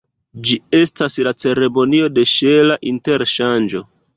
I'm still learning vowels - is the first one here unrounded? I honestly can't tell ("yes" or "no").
yes